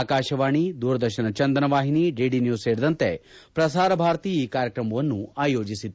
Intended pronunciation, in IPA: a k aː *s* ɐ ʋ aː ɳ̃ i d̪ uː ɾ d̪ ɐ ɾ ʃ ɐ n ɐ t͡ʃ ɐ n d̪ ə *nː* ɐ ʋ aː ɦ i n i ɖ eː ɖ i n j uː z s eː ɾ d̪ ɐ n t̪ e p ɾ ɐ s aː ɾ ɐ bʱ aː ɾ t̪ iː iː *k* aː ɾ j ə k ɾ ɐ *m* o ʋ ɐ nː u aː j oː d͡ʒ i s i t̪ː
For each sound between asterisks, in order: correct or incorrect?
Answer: incorrect: ʃ, incorrect: n, correct, correct

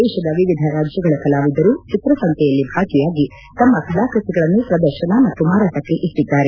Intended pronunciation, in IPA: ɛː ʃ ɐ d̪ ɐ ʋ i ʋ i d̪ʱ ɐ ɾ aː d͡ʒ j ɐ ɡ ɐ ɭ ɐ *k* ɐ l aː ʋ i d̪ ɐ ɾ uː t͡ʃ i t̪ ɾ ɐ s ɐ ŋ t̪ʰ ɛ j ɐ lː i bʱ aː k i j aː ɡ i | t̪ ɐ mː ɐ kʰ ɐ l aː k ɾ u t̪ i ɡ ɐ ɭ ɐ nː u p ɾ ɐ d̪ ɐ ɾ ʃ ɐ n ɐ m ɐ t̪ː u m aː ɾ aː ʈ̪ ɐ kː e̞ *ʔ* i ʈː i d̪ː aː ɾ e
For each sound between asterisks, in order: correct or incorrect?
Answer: correct, correct

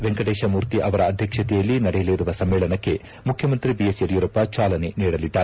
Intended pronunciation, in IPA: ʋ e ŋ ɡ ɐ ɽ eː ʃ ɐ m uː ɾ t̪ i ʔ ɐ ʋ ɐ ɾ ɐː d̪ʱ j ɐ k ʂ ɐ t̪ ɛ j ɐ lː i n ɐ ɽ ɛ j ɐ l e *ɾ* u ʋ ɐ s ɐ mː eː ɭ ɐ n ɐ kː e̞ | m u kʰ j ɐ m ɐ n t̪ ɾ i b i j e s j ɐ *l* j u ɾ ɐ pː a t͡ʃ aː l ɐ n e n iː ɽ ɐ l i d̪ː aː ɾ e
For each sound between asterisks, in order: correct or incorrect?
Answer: correct, incorrect: ɾ

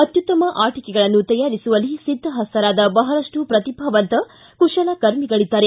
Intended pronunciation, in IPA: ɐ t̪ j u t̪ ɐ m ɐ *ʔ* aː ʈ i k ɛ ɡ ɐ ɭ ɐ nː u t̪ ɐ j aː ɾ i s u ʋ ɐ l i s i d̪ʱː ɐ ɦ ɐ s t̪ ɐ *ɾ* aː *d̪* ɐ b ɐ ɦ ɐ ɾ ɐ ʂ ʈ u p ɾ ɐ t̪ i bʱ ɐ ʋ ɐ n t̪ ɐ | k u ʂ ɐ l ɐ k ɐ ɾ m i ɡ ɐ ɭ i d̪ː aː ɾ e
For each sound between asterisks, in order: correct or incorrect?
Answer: correct, correct, correct

